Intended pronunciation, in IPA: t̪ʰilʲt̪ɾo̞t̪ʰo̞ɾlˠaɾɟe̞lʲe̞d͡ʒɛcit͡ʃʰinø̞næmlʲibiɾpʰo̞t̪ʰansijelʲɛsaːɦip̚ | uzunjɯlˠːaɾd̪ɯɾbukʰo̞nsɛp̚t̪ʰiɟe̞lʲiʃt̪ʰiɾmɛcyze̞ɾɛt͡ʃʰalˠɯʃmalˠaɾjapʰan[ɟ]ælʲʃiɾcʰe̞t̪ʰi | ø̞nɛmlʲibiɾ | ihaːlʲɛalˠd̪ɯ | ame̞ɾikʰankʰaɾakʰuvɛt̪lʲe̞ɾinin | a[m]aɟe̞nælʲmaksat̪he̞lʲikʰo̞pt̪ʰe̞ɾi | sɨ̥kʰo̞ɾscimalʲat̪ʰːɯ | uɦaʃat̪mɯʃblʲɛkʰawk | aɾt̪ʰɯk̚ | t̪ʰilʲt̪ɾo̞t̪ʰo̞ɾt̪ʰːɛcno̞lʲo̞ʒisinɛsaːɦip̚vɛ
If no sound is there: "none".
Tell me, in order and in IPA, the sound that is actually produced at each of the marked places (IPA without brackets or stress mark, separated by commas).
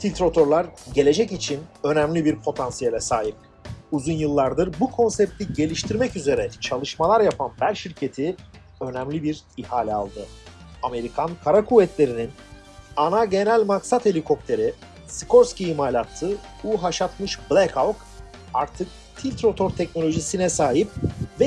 b, n